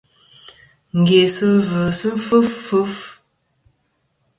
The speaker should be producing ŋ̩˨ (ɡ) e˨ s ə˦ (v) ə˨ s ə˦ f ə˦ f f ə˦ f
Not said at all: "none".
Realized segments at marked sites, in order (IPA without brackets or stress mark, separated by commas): ɡ, v